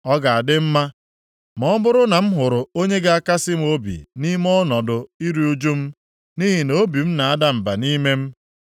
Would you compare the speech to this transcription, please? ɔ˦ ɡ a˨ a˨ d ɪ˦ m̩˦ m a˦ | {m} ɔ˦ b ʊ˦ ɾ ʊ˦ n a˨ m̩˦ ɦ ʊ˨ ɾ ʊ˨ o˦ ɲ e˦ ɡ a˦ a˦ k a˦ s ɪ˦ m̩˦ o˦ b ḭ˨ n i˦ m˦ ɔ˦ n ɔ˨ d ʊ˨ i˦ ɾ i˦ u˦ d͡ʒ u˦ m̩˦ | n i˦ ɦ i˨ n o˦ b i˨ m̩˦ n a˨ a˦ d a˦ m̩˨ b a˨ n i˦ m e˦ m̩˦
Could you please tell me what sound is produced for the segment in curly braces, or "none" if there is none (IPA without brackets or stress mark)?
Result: m